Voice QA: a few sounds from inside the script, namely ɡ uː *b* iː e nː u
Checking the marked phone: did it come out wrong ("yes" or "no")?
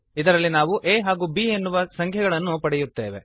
no